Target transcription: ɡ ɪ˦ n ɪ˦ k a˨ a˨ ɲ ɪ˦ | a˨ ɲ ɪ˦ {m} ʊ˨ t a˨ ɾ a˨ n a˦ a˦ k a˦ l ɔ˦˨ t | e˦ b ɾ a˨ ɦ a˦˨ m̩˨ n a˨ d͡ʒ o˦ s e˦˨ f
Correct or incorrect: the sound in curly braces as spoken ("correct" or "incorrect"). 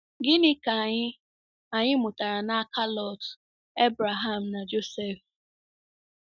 correct